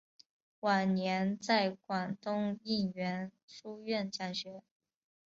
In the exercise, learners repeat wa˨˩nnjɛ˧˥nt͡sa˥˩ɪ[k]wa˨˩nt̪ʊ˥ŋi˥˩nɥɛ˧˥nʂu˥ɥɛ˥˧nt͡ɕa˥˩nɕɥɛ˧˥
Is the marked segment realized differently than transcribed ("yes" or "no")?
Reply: no